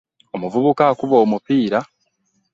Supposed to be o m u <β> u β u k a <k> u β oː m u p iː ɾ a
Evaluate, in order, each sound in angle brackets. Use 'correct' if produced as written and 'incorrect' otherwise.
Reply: incorrect: v, correct

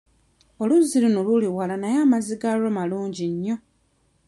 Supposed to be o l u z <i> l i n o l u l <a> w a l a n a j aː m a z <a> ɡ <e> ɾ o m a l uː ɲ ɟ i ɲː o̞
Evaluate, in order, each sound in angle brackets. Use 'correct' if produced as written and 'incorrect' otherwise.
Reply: correct, incorrect: i, incorrect: i, incorrect: a

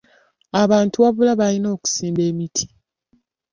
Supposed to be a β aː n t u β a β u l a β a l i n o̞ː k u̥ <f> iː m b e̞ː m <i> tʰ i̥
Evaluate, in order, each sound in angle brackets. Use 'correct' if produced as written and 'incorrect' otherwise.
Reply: incorrect: s, correct

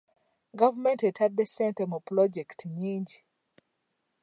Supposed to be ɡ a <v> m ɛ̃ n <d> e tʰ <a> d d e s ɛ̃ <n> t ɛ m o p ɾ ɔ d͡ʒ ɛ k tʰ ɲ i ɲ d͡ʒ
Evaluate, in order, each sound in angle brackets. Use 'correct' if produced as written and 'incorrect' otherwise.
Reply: correct, incorrect: t, correct, correct

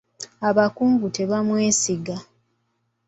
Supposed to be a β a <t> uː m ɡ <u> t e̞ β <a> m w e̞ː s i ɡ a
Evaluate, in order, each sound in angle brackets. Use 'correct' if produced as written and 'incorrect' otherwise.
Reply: incorrect: k, correct, correct

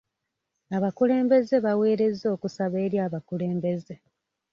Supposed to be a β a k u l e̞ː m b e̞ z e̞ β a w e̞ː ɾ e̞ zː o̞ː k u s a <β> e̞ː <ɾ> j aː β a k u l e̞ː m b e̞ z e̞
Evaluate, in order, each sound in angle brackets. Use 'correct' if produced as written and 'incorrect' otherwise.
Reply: correct, correct

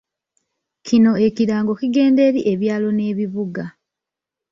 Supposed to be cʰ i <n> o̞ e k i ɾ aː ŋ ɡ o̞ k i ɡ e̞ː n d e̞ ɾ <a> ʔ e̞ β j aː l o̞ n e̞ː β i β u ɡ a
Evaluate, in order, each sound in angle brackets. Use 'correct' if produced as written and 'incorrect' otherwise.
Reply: correct, incorrect: i

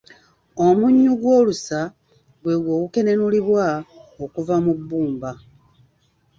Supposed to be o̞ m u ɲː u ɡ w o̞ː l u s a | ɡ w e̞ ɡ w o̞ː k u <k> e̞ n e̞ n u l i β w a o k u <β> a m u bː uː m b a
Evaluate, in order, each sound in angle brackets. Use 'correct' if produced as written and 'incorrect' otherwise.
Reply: correct, incorrect: v

